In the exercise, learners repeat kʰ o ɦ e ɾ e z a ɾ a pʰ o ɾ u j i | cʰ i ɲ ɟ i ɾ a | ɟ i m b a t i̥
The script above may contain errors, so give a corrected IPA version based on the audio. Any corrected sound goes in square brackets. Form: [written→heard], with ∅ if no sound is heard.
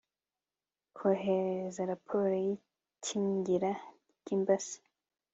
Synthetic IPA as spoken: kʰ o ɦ e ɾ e z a ɾ a pʰ o ɾ [u→o] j i | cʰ i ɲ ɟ i ɾ a | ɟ i m b a [t→s] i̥